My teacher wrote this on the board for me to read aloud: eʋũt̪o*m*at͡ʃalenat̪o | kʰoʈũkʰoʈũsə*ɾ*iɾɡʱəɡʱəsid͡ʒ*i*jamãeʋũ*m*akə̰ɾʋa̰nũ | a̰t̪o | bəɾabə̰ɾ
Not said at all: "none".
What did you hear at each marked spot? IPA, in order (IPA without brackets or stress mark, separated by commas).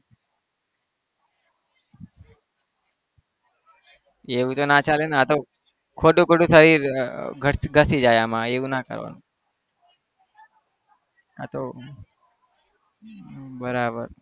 n, ɾ, a, n